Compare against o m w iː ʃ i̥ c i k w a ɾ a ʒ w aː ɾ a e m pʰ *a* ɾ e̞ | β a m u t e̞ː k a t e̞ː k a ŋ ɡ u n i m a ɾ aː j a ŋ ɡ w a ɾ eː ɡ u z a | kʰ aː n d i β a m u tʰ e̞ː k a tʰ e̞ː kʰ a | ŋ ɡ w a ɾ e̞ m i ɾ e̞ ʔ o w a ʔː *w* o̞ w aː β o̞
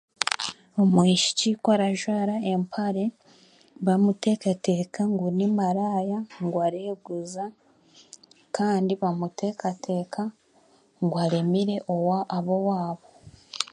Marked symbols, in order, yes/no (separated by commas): yes, no